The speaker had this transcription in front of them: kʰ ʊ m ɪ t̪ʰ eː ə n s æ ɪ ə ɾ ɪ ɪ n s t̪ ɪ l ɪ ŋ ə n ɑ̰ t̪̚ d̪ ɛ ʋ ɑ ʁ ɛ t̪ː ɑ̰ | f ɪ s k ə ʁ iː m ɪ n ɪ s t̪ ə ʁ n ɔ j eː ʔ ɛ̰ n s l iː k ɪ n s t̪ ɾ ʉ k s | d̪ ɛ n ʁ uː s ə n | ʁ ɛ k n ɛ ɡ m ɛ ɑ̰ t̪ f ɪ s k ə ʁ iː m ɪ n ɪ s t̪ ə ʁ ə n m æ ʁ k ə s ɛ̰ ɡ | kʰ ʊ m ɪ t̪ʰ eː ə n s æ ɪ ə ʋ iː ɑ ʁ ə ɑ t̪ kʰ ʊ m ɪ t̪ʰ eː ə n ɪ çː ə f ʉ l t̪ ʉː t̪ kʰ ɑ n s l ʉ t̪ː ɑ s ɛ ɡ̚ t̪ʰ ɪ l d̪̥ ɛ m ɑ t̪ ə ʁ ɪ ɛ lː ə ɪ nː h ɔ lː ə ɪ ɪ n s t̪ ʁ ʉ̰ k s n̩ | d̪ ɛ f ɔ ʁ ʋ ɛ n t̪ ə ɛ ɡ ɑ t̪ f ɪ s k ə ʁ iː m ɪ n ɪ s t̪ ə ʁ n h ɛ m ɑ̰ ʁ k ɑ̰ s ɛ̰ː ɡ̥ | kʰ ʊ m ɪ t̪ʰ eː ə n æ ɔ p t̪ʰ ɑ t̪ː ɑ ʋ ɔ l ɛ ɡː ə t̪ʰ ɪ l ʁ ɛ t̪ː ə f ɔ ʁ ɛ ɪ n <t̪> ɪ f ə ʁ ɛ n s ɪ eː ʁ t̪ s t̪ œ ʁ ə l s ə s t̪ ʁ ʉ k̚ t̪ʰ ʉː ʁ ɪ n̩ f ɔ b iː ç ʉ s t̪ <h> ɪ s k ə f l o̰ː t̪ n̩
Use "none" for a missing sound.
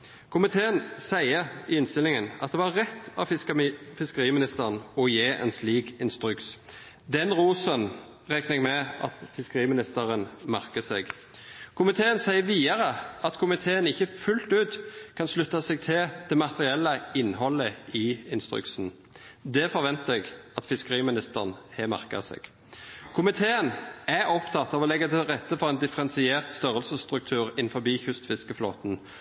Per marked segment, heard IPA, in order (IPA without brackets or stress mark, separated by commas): d̪, f